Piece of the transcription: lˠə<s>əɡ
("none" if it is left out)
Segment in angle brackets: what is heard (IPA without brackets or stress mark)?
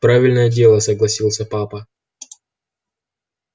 s